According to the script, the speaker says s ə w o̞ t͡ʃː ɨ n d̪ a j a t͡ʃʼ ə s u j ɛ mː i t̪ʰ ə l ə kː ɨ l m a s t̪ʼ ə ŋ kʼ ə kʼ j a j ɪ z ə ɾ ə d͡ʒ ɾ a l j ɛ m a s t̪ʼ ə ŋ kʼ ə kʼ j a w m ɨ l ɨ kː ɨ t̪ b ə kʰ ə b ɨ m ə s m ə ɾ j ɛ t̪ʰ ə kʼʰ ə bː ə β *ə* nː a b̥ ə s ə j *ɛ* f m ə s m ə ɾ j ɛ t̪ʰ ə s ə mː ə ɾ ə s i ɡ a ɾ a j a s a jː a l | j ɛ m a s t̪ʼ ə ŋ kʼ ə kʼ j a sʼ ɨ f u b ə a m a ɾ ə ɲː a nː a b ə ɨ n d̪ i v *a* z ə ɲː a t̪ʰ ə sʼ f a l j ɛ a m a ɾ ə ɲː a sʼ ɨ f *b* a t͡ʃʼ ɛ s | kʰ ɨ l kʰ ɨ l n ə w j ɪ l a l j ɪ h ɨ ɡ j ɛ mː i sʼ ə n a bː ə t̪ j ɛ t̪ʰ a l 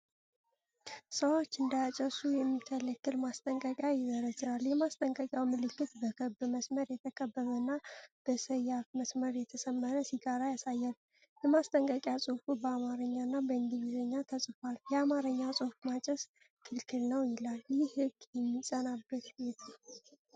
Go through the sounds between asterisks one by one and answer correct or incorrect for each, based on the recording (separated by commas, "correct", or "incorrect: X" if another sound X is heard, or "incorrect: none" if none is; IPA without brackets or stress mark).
correct, incorrect: a, incorrect: i, incorrect: m